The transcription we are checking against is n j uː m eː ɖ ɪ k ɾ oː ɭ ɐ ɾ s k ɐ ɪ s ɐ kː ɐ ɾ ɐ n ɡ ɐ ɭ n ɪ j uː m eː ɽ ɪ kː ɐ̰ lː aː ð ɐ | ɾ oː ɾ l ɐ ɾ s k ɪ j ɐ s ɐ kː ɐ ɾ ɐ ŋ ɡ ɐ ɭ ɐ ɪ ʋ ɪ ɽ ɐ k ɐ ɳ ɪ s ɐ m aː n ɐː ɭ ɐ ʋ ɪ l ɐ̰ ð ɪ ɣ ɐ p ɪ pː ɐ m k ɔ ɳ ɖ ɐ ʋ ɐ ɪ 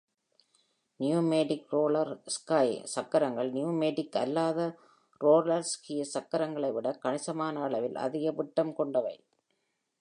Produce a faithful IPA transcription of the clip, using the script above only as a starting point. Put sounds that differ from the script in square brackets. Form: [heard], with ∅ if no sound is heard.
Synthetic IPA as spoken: n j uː m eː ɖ ɪ k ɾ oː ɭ ɐ ɾ s k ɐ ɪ s ɐ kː ɐ ɾ ɐ [ŋ] ɡ ɐ ɭ n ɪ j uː m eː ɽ ɪ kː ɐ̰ lː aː ð ɐ | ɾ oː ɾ l ɐ ɾ s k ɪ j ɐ s ɐ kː ɐ ɾ ɐ ŋ ɡ ɐ ɭ ɐ ɪ ʋ ɪ ɽ ɐ k ɐ ɳ ɪ s ɐ m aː n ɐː ɭ ɐ ʋ ɪ l ɐ̰ ð ɪ ɣ ɐ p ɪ [ʈː] ɐ m k ɔ ɳ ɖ ɐ ʋ ɐ ɪ